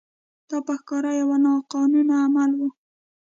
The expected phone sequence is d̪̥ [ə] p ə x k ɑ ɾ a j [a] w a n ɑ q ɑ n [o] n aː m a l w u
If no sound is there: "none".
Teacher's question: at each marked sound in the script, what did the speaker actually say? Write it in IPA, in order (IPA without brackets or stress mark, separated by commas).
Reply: ɑ, a, u